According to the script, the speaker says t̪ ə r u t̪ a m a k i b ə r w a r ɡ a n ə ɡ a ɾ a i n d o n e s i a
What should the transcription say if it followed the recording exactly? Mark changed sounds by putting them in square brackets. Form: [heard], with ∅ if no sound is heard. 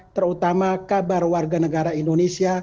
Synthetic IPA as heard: t̪ ə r u t̪ a m a k [a] b [a] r w a r ɡ a n ə ɡ a ɾ a i n d o n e s i a